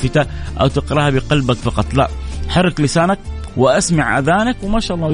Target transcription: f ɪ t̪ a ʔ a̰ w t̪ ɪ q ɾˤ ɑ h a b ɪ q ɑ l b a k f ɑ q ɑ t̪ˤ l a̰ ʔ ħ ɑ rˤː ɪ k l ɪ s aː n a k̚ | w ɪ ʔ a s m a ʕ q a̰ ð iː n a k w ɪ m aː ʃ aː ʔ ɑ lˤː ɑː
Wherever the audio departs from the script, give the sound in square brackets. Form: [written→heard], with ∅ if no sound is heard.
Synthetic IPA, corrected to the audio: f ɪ t̪ a ʔ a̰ w t̪ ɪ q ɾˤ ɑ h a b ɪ q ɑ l b a k f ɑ q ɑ t̪ˤ l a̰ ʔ ħ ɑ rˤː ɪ k l ɪ s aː n a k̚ | w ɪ ʔ a s m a ʕ [q→ʔ] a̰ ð [iː→aː] n a k w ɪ m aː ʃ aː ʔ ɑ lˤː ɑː